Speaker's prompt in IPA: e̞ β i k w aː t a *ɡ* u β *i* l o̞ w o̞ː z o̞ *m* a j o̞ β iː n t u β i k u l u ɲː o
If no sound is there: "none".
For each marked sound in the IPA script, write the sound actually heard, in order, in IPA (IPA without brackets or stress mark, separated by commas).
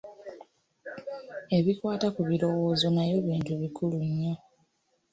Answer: k, i, n